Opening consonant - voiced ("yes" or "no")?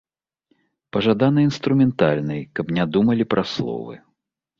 no